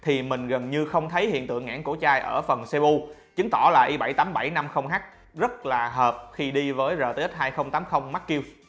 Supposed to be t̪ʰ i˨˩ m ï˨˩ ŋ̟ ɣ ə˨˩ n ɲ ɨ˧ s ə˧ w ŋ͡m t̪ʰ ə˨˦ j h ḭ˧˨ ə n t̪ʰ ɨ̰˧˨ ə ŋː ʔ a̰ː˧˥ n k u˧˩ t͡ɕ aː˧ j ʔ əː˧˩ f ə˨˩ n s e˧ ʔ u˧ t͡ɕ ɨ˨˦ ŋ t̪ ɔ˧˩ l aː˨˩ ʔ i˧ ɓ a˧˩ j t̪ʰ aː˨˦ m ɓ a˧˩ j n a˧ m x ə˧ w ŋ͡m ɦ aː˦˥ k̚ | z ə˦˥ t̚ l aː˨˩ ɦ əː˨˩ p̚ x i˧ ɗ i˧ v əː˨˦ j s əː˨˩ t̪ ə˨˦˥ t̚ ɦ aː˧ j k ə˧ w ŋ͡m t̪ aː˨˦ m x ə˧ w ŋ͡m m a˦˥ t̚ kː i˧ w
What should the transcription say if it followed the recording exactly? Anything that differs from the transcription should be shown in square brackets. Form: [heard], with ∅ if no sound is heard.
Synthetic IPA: t̪ʰ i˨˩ m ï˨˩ ŋ̟ ɣ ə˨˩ n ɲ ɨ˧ [x] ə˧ w ŋ͡m t̪ʰ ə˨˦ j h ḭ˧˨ ə n [t̪] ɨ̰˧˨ ə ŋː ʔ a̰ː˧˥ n k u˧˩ t͡ɕ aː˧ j ʔ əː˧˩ f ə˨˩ n s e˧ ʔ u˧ t͡ɕ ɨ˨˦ ŋ t̪ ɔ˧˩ l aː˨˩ ʔ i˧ ɓ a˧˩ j [t̪] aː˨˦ m ɓ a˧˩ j n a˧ m x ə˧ w ŋ͡m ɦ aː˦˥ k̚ | z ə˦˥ t̚ l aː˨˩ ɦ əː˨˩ p̚ x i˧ ɗ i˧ v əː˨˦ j [z] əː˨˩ t̪ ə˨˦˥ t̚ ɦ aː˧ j [x] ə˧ w ŋ͡m t̪ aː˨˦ m x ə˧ w ŋ͡m m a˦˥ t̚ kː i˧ w

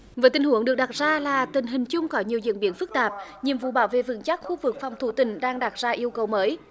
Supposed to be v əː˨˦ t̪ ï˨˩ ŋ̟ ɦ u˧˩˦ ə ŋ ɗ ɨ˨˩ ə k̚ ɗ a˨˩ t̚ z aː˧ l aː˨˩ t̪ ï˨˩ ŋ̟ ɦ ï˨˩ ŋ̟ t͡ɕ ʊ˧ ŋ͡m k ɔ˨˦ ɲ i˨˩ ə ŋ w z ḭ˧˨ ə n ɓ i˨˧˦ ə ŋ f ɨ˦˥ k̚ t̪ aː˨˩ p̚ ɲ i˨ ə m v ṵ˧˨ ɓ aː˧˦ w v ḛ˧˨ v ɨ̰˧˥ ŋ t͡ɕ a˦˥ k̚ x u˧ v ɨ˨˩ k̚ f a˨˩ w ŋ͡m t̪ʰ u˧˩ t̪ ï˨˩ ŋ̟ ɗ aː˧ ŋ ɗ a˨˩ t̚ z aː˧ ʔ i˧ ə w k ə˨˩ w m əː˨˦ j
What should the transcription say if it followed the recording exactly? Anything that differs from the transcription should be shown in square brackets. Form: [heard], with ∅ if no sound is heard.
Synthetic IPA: v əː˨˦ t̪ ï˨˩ ŋ̟ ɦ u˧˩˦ ə ŋ ɗ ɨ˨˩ ə k̚ ɗ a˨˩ t̚ z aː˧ l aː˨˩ t̪ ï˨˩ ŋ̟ ɦ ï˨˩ ŋ̟ t͡ɕ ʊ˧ ŋ͡m k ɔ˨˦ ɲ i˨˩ ə [∅] w z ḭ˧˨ ə n ɓ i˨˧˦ ə [n] f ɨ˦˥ k̚ t̪ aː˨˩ p̚ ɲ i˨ ə m v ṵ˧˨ ɓ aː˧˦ w v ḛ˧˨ v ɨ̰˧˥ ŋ t͡ɕ a˦˥ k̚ x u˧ v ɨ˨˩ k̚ f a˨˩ w ŋ͡m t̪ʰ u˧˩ t̪ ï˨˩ ŋ̟ ɗ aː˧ ŋ ɗ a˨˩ t̚ z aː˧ ʔ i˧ ə w k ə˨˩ w m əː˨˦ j

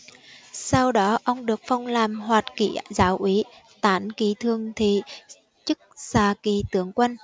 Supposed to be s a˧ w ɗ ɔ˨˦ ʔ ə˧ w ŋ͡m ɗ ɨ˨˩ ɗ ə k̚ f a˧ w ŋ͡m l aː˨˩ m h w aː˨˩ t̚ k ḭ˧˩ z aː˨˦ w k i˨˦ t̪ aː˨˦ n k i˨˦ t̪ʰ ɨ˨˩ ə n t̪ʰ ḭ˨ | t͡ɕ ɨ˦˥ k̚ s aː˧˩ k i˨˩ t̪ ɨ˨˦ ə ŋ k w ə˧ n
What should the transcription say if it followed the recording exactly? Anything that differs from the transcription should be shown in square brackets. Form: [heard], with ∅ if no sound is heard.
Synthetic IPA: s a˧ w ɗ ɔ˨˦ ʔ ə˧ w ŋ͡m ɗ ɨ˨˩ [∅] ə k̚ f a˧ w ŋ͡m l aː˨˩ m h w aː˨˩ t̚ k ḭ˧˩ z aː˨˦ w [ʔ] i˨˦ t̪ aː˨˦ n k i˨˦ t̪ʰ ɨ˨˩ ə [ŋ] t̪ʰ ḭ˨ | t͡ɕ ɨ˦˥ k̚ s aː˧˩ k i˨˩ t̪ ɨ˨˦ ə ŋ k w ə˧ n

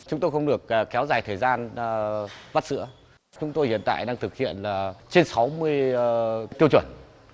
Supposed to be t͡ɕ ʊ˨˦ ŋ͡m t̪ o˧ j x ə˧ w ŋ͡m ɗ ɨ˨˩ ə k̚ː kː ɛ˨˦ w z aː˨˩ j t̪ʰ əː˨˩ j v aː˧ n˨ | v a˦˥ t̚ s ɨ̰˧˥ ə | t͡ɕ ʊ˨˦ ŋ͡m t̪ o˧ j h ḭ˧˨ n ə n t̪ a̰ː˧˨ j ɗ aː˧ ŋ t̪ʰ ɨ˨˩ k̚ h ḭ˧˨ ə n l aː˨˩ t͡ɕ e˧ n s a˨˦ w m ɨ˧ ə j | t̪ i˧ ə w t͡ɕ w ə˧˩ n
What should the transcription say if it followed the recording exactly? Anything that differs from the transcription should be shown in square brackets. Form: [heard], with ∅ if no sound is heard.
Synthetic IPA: t͡ɕ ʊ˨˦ ŋ͡m t̪ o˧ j x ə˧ w ŋ͡m ɗ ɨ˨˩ ə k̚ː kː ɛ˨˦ w z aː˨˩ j t̪ʰ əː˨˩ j [z] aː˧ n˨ | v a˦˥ t̚ s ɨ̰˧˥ ə | t͡ɕ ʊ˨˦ ŋ͡m t̪ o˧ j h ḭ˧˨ [∅] ə n t̪ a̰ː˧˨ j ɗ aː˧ ŋ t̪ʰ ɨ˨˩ k̚ h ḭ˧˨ ə n l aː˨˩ t͡ɕ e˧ n s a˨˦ w m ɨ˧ ə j | t̪ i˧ ə w t͡ɕ w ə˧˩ n

